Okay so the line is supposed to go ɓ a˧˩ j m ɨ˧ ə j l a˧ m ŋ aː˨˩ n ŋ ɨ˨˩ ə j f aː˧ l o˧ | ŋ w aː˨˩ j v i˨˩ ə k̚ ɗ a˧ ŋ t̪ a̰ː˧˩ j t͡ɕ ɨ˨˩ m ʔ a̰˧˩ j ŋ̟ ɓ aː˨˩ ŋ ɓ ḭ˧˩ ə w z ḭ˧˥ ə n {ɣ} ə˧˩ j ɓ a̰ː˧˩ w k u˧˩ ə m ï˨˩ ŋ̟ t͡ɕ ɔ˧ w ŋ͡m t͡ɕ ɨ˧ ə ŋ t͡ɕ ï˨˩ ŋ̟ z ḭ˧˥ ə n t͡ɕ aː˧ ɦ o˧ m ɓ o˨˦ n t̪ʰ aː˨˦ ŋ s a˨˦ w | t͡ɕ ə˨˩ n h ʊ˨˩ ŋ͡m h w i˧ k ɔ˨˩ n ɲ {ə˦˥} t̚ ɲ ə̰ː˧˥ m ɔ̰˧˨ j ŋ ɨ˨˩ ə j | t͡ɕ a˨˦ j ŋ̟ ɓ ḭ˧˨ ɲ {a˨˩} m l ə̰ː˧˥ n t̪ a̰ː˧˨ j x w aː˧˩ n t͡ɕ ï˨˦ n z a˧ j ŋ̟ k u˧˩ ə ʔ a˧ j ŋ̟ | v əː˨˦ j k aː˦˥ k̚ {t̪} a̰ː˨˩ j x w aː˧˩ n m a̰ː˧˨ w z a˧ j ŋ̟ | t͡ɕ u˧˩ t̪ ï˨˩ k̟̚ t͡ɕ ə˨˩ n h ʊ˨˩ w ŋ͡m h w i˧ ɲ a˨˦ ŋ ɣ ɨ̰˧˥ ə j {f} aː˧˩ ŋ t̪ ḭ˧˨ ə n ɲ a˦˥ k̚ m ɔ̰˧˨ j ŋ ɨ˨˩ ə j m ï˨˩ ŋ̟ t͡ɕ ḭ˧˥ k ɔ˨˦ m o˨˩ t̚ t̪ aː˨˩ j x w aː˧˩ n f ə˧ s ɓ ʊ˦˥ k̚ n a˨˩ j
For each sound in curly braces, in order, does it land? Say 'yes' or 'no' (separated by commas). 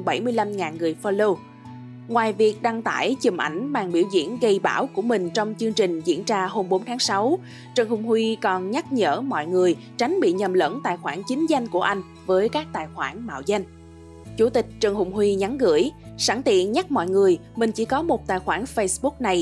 yes, no, no, yes, no